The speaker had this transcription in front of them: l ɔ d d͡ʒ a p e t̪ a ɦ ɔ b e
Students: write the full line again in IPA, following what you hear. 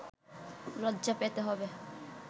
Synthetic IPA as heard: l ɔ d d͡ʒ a p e t̪ e ɦ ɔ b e